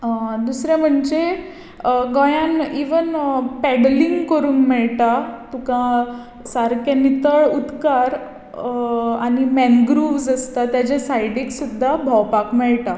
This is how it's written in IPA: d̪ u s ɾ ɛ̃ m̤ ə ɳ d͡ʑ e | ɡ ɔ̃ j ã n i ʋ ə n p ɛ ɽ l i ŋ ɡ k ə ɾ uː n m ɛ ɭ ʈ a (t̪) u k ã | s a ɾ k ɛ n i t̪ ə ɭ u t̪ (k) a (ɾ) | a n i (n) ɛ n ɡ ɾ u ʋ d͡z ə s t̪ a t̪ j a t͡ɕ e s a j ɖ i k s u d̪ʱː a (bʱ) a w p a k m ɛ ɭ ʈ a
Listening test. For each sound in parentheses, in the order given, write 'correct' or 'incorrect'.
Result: correct, correct, correct, incorrect: m, correct

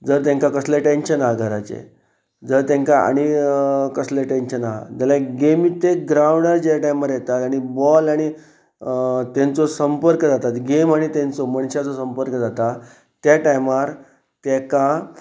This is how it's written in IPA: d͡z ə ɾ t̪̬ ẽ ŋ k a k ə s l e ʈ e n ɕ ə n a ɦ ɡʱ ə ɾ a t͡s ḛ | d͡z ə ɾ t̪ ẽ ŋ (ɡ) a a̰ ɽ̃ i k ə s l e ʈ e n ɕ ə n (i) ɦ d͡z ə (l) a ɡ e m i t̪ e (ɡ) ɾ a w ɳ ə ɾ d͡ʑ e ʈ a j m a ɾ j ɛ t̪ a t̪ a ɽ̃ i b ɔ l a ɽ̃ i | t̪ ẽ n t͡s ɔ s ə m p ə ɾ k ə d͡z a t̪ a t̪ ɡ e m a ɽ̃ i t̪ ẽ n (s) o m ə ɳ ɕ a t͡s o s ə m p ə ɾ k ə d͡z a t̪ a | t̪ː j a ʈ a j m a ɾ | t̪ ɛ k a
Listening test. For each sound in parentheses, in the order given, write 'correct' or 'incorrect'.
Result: incorrect: k, incorrect: a, correct, correct, incorrect: t͡s

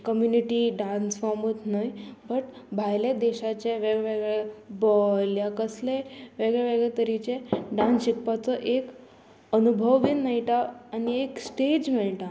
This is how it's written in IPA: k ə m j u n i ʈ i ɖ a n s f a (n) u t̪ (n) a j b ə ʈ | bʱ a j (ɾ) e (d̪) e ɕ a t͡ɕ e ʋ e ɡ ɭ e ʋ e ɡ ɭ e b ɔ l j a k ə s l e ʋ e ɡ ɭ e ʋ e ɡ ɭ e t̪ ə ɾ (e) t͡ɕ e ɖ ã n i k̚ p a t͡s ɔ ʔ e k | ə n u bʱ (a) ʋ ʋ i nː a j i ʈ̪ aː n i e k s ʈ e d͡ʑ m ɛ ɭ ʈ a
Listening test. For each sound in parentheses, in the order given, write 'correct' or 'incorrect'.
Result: incorrect: m, correct, incorrect: l, correct, incorrect: i, incorrect: ə

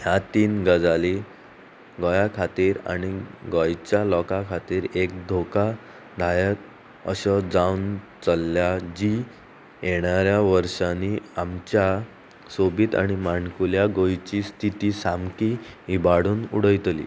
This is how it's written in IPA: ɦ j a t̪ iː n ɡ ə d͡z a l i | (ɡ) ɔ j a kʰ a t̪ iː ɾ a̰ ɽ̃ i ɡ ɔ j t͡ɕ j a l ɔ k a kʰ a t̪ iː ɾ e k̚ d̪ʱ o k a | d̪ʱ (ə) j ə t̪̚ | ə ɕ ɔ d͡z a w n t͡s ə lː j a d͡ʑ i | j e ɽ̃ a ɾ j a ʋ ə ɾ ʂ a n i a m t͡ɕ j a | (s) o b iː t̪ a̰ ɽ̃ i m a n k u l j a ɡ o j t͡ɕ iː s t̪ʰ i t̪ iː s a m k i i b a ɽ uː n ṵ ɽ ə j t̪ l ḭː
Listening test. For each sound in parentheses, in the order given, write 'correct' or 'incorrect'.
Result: correct, incorrect: a, correct

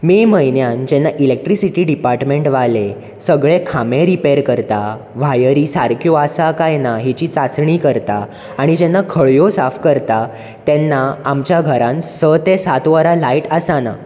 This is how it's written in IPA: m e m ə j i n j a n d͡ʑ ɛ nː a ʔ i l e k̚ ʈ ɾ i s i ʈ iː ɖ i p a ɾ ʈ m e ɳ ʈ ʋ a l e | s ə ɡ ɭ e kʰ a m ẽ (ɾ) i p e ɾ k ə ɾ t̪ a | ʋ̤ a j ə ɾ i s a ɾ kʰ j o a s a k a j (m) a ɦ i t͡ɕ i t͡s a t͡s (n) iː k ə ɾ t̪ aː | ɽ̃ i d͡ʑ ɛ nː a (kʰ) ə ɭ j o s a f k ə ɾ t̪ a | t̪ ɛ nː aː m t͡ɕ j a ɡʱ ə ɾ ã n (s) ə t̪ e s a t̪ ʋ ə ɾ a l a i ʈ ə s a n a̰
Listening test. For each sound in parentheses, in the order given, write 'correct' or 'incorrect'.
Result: correct, incorrect: n, incorrect: ɳ, correct, correct

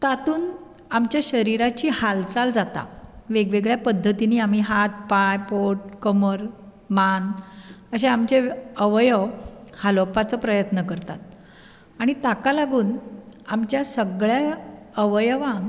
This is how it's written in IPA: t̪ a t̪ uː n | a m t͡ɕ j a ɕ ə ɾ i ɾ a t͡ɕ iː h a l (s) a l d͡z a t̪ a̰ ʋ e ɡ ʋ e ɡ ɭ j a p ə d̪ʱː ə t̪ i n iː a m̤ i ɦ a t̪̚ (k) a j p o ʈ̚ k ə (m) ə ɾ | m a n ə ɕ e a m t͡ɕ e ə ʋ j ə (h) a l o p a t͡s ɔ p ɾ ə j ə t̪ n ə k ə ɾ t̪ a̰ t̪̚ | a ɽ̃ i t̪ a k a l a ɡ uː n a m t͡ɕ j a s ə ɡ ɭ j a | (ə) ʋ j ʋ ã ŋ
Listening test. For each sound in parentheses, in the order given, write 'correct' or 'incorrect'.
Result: incorrect: t͡s, incorrect: p, correct, correct, correct

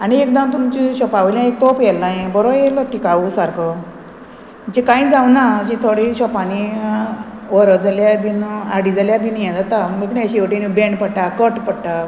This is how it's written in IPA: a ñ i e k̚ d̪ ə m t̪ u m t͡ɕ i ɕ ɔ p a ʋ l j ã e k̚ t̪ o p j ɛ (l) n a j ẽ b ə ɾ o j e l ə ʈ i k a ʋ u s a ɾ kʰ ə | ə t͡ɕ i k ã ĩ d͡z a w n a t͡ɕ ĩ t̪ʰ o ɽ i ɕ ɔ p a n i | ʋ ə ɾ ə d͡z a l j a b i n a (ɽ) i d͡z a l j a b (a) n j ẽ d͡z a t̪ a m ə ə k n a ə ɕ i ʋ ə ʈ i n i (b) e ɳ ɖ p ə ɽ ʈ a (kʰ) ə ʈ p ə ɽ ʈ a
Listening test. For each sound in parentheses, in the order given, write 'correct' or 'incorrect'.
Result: correct, correct, incorrect: i, correct, incorrect: k

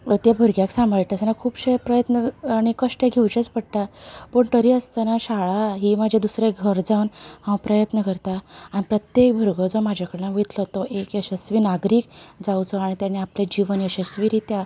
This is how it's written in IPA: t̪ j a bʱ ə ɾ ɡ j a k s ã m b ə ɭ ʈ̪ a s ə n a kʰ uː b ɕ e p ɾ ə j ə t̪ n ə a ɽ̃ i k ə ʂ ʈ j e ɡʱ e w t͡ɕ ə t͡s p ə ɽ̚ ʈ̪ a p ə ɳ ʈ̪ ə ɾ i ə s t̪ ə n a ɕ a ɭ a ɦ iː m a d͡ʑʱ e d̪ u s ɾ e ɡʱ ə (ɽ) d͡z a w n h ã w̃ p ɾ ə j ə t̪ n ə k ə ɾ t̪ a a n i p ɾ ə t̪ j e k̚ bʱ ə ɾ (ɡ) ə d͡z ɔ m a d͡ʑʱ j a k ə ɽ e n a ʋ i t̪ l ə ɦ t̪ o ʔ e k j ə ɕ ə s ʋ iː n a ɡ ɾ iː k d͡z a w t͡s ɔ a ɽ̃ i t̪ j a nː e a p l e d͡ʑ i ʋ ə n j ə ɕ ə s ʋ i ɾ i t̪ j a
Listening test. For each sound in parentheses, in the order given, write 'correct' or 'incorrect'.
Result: incorrect: ɾ, correct

